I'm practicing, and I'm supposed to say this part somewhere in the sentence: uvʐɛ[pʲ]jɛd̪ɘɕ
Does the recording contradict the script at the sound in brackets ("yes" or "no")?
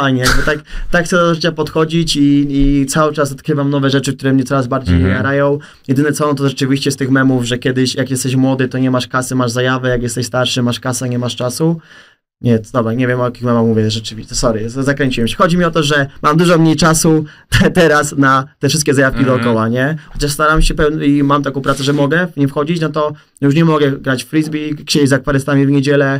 yes